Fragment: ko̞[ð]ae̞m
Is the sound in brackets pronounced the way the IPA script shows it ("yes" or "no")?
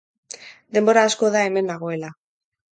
yes